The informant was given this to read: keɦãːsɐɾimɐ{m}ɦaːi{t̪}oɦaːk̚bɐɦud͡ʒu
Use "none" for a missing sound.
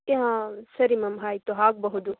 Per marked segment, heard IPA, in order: m, t̪

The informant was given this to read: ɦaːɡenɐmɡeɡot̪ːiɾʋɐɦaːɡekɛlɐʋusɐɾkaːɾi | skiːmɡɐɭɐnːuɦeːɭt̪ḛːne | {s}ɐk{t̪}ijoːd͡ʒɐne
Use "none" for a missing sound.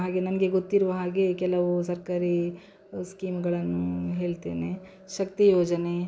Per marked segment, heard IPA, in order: ʃ, t̪

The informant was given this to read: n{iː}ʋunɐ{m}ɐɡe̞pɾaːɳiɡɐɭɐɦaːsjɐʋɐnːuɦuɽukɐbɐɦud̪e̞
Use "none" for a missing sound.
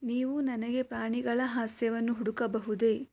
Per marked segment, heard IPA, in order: iː, n

